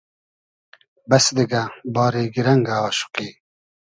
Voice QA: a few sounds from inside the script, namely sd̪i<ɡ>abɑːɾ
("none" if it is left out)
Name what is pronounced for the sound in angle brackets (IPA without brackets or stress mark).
ɡ